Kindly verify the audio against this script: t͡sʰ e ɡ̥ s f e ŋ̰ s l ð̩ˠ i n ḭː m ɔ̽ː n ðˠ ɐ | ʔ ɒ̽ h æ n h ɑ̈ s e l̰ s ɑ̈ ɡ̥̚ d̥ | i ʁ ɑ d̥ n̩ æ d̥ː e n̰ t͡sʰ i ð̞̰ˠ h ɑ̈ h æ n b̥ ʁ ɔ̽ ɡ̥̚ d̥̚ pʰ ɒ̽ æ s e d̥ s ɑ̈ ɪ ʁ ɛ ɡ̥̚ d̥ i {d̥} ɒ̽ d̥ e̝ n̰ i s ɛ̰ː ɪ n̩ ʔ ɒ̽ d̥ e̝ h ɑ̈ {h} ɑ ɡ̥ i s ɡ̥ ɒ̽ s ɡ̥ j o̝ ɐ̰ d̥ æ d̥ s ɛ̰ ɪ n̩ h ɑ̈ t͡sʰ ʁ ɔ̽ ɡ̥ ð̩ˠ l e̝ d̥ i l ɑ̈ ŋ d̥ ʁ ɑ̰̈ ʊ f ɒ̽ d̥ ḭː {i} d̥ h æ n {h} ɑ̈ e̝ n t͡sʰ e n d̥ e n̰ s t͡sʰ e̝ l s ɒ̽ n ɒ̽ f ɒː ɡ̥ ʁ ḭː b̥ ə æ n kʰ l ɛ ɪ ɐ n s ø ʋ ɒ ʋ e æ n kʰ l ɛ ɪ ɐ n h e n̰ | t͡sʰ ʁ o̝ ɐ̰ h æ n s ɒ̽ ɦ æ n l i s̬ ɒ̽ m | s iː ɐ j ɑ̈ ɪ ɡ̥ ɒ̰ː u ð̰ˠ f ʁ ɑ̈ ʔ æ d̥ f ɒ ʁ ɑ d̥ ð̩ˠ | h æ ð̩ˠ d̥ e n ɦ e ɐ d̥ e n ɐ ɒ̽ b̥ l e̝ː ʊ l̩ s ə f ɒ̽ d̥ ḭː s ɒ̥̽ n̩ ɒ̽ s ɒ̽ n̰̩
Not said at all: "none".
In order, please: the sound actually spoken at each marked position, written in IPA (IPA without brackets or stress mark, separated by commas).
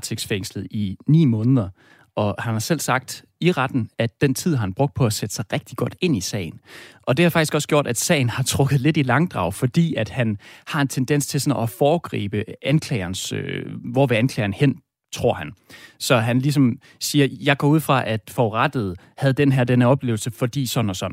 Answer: ɡ̥, f, æ, h